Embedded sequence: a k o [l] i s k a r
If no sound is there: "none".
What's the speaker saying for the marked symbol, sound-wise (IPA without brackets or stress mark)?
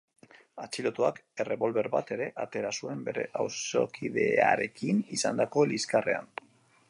l